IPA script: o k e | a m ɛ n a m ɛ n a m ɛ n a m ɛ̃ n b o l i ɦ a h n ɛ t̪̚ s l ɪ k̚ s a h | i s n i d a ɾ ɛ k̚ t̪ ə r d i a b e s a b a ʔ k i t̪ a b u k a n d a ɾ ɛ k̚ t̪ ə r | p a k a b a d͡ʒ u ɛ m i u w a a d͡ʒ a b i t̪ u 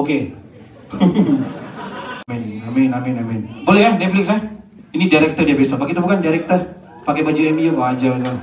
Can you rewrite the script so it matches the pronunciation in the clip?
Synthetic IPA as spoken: o k e | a m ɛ n a m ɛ n a m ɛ n a m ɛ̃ n b o l ɛ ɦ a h n ɛ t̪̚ f l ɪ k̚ s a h | i n i d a ɾ ɛ k̚ t̪ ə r d i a b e s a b a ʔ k i t̪ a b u k a n d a ɾ ɛ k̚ t̪ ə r | p a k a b a d͡ʒ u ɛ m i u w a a d͡ʒ a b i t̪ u

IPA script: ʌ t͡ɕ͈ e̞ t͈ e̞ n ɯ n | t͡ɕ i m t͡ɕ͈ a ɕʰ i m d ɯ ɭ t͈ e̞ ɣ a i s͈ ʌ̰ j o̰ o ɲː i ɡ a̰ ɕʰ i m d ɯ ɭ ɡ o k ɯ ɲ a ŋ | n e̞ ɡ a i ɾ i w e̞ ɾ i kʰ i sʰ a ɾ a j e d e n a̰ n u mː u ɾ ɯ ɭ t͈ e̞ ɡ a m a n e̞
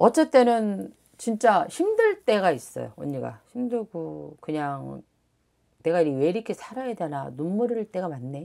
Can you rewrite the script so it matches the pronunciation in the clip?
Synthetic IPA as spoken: ʌ t͡ɕ͈ e̞ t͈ e̞ n ɯ n | t͡ɕ i n t͡ɕ͈ a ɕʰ i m d ɯ ɭ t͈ e̞ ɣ a i s͈ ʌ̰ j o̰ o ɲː i ɡ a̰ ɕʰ i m d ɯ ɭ ɡ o k ɯ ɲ a ŋ | n e̞ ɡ a i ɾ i w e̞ ɾ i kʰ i sʰ a ɾ a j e d e n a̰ n u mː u ɾ ɯ ɭ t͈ e̞ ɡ a m a nː e̞

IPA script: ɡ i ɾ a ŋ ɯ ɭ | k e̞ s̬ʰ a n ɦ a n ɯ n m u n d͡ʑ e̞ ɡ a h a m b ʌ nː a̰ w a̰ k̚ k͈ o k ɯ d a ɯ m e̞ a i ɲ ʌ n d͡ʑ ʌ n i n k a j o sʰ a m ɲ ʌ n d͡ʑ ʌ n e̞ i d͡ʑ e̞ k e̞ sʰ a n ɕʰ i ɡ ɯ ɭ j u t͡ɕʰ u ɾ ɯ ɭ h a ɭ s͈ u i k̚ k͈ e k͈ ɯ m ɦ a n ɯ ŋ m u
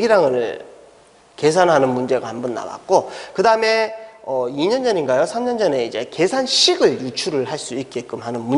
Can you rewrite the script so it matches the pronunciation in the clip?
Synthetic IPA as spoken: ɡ i ɾ a ŋ ɯ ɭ | k e̞ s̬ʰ a n ɦ a n ɯ n m u n d͡ʑ e̞ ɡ a h a m b ʌ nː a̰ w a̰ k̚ k͈ o k ɯ d a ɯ m e̞ ʌ i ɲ ʌ n d͡ʑ ʌ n i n ɡ a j o sʰ a m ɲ ʌ n d͡ʑ ʌ n e̞ i d͡ʑ e̞ k e̞ sʰ a n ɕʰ i ɡ ɯ ɭ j u t͡ɕʰ u ɾ ɯ ɭ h a ɭ s͈ u i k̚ k͈ e k͈ ɯ m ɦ a n ɯ n m u

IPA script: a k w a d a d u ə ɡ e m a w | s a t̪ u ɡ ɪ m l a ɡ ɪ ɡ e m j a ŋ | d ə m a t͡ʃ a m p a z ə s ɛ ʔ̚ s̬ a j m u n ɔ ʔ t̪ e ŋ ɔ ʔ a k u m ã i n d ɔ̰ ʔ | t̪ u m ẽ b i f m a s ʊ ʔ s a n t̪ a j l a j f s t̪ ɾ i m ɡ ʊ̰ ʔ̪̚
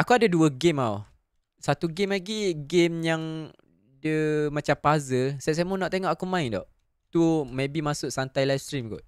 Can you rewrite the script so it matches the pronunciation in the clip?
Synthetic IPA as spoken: a k u a d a d u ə ɡ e m a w | s a t̪ u ɡ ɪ m l a ɡ i ɡ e m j a ŋ | d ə m a t͡ʃ a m p a z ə s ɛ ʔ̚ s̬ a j m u n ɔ ʔ t̪ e ŋ ɔ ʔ a k u m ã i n d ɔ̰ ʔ | t̪ u m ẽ b i m a s ʊ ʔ s a n t̪ a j l a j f s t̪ ɾ i m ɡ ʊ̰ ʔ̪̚

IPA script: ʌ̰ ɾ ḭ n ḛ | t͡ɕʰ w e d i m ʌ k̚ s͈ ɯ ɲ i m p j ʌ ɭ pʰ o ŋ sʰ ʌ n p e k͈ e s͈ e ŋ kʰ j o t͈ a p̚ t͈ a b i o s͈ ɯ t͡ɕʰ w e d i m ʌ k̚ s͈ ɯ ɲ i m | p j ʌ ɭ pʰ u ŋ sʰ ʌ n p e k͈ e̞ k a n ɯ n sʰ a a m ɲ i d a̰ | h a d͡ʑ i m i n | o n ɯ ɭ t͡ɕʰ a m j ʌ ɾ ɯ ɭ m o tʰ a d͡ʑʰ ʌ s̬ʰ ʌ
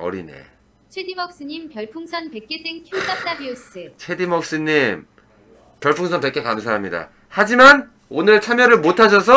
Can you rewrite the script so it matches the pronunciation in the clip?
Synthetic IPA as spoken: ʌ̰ ɾ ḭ n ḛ | t͡ɕʰ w e d i m ʌ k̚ s͈ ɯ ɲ i m p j ʌ ɭ pʰ u ŋ sʰ ʌ n p e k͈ e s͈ e ŋ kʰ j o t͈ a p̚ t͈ a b i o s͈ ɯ t͡ɕʰ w e d i m ʌ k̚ s͈ ɯ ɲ i m | p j ʌ ɭ pʰ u ŋ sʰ ʌ n p e k͈ e̞ k a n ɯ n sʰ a a m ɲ i d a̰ | h a d͡ʑ i m a n | o n ɯ ɭ t͡ɕʰ a m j ʌ ɾ ɯ ɭ m o tʰ a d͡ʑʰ ʌ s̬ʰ ʌ

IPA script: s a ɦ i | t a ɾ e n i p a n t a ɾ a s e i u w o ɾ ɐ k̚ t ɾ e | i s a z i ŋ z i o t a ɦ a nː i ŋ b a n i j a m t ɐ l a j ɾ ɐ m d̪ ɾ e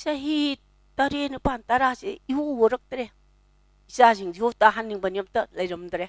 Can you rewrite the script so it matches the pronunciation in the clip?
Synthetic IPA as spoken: s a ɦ i | t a ɾ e n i p a n t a ɾ a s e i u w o ɾ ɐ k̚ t ɾ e | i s a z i ŋ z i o t a ɦ a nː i ŋ b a n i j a m t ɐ l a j ɾ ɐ m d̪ ɾ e

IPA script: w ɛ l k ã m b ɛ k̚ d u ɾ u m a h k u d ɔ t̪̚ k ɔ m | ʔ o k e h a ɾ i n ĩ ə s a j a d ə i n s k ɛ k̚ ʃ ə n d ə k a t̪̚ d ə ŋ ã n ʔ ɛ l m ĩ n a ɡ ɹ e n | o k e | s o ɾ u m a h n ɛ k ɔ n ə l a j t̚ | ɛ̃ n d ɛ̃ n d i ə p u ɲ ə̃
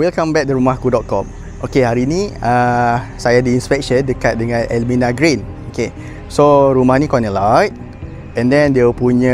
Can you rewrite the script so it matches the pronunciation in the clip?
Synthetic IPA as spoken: w i l k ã m b ɛ k̚ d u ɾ u m a h k u d ɔ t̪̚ k ɔ m | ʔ o k e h a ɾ i n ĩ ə s a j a d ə i n s p ɛ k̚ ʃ ə n d ə k a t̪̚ d ə ŋ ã n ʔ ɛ l m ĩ n a ɡ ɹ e n | o k e | s o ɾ u m a h n i k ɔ n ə l a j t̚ | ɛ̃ n d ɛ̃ n d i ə p u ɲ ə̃

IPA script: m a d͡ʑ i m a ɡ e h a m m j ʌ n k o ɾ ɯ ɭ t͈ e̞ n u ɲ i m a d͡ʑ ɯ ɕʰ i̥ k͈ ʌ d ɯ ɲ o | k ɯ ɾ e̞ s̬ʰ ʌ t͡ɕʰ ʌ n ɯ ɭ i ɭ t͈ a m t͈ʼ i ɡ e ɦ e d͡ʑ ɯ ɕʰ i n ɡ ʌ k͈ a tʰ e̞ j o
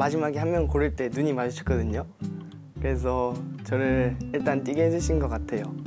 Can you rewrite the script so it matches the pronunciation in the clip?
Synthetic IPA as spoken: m a d͡ʑ i m a ɡ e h a m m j ʌ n k o ɾ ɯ ɭ t͈ e̞ n u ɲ i m a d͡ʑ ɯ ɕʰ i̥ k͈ ʌ d ɯ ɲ o | k ɯ ɾ e̞ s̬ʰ ʌ t͡ɕ ʌ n ɯ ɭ i ɭ t͈ a n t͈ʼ i ɡ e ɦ e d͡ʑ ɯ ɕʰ i n ɡ ʌ k͈ a tʰ e̞ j o

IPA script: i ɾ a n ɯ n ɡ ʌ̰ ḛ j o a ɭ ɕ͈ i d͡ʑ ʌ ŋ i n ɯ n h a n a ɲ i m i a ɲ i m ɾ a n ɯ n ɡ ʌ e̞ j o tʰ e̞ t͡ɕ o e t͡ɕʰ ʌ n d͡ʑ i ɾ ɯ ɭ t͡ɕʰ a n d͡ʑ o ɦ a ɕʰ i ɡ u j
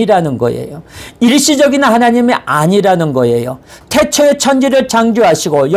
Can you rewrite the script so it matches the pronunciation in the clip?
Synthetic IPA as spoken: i ɾ a n ɯ n ɡ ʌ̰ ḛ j o i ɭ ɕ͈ i d͡ʑ ʌ ɡ i n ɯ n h a n a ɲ i m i a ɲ i ɾ a n ɯ n ɡ ʌ e̞ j o tʰ e̞ t͡ɕʰ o e t͡ɕʰ ʌ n d͡ʑ i ɾ ɯ ɭ t͡ɕ a ŋ d͡ʑ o ɦ a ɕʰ i ɡ o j

